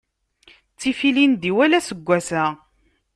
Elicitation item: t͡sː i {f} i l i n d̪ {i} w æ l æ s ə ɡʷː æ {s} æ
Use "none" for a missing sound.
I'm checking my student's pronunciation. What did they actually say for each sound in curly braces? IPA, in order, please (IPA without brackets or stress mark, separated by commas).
f, i, s